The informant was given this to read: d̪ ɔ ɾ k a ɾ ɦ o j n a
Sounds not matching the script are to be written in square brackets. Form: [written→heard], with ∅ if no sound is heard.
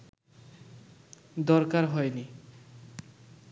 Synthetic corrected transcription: d̪ ɔ ɾ k a ɾ ɦ [o→ɔ] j n [a→i]

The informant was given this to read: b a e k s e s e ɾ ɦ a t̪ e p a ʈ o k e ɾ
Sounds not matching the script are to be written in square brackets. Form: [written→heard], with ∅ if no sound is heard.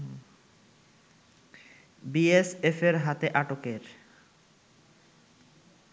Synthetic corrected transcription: b [a→i] e [k→∅] s e [s→f] e ɾ ɦ a t̪ e [p→ʔ] a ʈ o k e ɾ

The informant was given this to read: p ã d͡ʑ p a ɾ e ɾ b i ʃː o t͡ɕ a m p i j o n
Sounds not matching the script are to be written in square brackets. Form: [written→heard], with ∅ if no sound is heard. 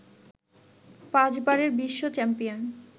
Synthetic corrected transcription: p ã d͡ʑ [p→b] a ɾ e ɾ b i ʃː o t͡ɕ [a→ɛ] m p i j o n

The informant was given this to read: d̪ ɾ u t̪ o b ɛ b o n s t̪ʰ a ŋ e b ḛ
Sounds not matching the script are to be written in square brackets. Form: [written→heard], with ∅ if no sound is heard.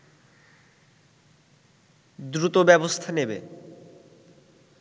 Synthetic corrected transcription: d̪ ɾ u t̪ o b ɛ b o [n→∅] s t̪ʰ a [ŋ→n] e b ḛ

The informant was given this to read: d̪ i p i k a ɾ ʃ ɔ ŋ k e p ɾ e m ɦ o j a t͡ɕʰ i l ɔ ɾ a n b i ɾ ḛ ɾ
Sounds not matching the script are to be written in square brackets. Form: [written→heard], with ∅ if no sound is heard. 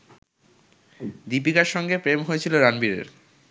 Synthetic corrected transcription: d̪ i p i k a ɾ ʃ ɔ ŋ [k→ɡ] e p ɾ e m ɦ o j [a→e] t͡ɕʰ i l [ɔ→o] ɾ a n b i ɾ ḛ ɾ

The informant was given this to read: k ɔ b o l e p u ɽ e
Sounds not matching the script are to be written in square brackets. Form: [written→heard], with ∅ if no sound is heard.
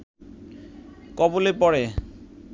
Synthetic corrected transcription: k ɔ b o l e p [u→ɔ] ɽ e

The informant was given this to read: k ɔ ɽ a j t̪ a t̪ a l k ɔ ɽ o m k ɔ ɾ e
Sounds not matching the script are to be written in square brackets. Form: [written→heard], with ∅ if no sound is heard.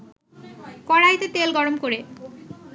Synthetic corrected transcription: k ɔ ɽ a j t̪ [a→e] t̪ [a→e] l [k→ɡ] ɔ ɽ o m k [ɔ→o] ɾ e

